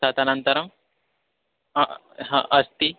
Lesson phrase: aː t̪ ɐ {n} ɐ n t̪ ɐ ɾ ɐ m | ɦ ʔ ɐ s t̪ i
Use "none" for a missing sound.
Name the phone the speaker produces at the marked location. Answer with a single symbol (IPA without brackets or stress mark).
n